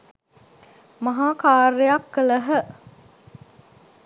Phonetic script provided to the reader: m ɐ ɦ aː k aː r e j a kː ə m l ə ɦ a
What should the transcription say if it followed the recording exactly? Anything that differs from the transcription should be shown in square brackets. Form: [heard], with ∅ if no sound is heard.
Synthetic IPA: m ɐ ɦ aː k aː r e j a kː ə [∅] l ə ɦ [ə]